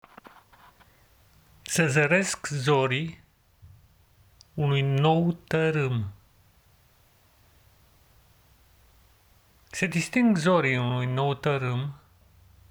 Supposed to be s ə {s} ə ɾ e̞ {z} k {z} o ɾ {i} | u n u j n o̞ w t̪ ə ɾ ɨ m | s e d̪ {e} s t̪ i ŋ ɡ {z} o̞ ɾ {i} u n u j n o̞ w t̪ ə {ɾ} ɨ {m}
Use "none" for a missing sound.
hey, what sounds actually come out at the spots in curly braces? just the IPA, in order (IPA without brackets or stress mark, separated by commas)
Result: z, s, z, i, i, z, i, ɾ, m